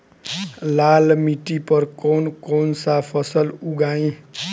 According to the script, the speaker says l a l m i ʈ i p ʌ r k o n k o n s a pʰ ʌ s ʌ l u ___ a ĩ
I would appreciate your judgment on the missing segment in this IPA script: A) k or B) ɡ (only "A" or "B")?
B